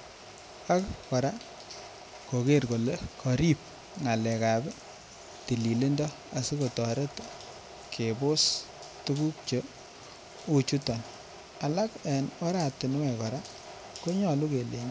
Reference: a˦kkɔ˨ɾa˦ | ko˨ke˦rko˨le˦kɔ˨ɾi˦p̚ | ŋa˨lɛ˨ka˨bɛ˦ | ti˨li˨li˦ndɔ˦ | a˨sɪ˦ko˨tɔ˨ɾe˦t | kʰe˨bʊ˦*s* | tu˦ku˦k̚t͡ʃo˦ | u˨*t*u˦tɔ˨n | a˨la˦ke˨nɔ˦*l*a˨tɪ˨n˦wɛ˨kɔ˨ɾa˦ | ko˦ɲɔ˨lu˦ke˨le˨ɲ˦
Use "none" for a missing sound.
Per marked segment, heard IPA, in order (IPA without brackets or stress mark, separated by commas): s, t͡ʃ, ɾ